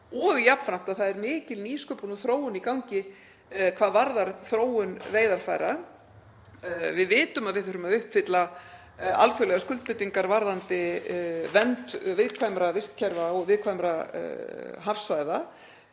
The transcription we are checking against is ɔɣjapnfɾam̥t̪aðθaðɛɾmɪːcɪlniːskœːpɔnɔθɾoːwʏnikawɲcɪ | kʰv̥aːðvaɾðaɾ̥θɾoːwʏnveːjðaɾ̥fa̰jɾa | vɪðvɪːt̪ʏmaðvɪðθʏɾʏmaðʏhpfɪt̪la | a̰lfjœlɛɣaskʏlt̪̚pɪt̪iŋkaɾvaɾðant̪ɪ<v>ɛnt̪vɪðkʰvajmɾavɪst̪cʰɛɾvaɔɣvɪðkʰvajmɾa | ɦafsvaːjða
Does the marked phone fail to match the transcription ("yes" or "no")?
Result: no